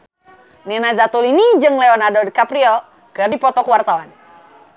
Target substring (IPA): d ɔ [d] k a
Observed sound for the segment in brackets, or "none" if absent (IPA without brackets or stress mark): d